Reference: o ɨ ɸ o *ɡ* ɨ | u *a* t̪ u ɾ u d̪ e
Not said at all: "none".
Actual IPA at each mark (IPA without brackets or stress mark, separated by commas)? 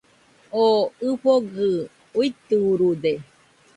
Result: ɡ, i